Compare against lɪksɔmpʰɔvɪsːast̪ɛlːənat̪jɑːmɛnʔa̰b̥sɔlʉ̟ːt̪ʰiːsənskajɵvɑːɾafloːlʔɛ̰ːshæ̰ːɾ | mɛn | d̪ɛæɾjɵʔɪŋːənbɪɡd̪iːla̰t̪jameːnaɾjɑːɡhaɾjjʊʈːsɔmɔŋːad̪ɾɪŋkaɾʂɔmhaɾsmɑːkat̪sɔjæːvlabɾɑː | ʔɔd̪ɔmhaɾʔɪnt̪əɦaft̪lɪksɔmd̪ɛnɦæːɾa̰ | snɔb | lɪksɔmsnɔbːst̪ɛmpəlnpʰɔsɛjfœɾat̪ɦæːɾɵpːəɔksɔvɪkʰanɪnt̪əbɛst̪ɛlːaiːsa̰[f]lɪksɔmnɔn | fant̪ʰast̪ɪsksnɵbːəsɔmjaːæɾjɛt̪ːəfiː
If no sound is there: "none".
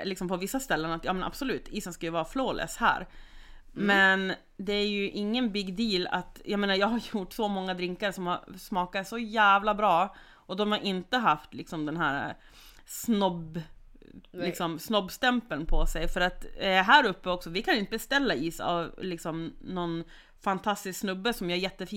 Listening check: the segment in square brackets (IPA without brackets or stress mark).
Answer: v